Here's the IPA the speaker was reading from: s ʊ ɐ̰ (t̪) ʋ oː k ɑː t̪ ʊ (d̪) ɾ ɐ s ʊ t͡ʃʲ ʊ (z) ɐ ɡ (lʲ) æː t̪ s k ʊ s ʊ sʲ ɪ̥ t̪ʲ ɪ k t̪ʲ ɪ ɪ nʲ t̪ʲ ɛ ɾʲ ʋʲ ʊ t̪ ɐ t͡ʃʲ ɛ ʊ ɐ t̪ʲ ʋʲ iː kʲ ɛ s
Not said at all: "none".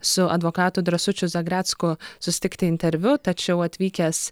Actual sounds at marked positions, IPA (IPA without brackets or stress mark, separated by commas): d̪, d̪, z, ɾʲ